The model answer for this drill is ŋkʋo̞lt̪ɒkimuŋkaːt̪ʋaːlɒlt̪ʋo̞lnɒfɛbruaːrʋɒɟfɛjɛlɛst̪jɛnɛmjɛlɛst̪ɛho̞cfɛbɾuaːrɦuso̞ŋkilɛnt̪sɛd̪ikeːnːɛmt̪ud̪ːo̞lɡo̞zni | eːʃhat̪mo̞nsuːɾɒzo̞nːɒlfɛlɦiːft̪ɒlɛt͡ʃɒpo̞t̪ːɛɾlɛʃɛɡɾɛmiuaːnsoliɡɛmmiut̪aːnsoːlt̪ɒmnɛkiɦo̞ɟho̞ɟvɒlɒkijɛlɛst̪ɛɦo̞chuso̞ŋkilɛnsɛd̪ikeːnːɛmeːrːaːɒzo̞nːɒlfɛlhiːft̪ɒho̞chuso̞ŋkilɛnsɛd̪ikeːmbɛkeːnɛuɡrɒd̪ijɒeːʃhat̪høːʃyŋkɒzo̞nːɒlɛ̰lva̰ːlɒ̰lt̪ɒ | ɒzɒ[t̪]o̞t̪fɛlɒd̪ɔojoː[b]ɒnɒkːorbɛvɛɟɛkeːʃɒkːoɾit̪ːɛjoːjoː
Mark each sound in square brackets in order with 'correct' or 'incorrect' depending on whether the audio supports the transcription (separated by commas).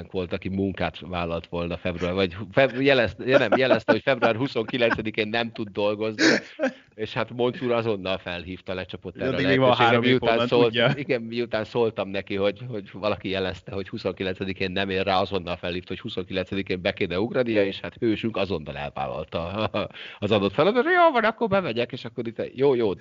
incorrect, incorrect